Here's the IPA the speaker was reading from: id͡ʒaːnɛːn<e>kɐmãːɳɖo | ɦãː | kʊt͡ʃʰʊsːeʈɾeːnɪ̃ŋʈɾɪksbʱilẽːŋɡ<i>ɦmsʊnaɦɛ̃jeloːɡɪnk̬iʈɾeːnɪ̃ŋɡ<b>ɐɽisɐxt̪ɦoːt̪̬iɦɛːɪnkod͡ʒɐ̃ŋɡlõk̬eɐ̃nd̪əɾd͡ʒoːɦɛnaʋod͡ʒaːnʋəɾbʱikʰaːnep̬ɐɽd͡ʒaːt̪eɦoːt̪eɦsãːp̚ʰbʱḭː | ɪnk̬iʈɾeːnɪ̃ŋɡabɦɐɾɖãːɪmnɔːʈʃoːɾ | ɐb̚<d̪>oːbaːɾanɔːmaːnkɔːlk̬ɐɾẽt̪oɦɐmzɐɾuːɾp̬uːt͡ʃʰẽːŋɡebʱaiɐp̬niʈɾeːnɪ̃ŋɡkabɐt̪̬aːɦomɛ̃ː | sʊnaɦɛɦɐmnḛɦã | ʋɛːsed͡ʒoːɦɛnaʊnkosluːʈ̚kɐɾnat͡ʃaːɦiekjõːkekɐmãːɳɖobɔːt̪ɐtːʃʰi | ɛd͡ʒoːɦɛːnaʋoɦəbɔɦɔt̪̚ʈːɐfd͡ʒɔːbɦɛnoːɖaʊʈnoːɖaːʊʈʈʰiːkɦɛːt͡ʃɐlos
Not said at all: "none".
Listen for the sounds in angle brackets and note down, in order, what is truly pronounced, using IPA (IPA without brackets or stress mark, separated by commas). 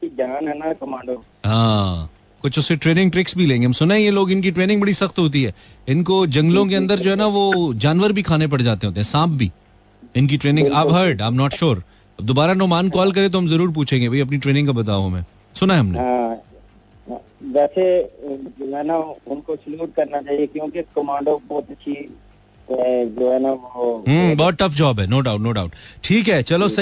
a, e, b, d̪